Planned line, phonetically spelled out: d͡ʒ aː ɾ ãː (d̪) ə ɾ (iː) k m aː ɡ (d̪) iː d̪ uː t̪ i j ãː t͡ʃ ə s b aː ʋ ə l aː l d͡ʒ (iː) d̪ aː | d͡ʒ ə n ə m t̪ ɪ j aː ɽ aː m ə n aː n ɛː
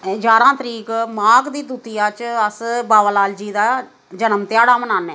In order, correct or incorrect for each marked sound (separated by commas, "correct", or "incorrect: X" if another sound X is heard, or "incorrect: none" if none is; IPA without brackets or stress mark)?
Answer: incorrect: t̪, correct, correct, correct